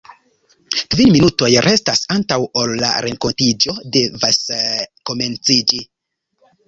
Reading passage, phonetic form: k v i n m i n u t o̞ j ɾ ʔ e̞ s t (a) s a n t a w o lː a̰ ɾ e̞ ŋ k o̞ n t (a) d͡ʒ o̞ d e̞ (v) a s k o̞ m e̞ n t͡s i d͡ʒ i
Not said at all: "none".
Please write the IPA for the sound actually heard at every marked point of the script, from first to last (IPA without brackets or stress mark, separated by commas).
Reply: a, i, v